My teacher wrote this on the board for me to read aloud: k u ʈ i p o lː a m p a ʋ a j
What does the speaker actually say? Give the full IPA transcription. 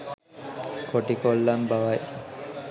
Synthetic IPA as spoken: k o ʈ i k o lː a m b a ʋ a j